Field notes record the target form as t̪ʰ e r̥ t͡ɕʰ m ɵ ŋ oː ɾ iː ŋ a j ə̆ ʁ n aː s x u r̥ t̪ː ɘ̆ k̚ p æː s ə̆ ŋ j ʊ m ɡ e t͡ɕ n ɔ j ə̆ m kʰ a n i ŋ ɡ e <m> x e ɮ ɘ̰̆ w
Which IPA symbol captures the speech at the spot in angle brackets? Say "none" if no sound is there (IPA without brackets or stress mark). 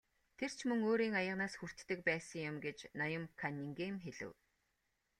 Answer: m